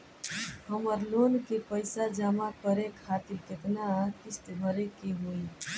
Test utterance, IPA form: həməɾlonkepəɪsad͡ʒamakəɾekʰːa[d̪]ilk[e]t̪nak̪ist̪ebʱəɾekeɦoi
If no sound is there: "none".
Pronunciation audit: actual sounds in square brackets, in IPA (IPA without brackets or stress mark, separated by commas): t̪, e